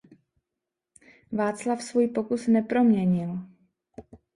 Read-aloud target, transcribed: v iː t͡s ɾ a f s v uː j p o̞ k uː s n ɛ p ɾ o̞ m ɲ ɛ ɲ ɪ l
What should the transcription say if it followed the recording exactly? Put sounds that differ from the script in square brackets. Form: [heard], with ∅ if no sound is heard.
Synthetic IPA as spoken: v [aː] t͡s [l] a f s v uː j p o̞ k [u] s n ɛ p ɾ o̞ m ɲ ɛ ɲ ɪ l